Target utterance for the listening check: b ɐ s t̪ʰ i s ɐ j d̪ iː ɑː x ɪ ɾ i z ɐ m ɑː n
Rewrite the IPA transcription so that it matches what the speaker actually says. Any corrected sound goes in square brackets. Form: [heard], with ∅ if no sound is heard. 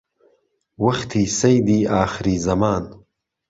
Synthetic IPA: [w] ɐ [x] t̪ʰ i s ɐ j d̪ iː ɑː x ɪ ɾ i z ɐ m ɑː n